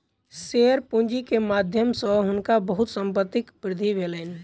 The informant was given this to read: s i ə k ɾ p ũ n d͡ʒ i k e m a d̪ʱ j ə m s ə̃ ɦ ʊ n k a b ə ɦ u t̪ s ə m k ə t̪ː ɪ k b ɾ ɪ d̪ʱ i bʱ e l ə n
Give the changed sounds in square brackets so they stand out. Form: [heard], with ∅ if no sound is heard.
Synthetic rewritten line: s [e] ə [∅] ɾ p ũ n d͡ʒ i k e m a d̪ʱ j ə m s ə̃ ɦ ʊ n k a b ə ɦ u t̪ s ə m [p] ə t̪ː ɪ k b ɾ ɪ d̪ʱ i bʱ e l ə n